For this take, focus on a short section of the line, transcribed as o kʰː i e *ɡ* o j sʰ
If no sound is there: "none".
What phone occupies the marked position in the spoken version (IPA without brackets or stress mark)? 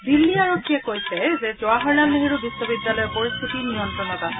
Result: k